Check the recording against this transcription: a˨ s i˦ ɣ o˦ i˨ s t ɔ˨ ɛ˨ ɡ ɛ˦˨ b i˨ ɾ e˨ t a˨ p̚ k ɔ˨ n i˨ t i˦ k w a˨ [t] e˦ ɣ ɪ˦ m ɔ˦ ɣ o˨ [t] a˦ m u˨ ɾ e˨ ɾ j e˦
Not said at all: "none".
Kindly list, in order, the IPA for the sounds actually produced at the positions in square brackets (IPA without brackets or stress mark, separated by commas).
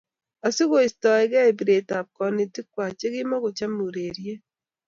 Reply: t͡ʃ, t͡ʃ